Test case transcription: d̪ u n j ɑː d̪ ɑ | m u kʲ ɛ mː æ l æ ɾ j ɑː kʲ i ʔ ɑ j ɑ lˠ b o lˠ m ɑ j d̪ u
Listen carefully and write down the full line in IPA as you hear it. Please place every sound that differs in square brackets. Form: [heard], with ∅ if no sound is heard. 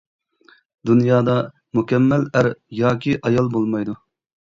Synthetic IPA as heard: d̪ u n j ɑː d̪ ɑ | m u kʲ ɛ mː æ l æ ɾ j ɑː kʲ i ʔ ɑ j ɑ lˠ b o lˠ m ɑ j d̪ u